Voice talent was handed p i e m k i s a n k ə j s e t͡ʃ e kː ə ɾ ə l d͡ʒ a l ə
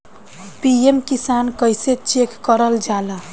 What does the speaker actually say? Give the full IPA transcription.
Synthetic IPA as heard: p i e m k i s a n k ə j s e t͡ʃ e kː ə ɾ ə l d͡ʒ a l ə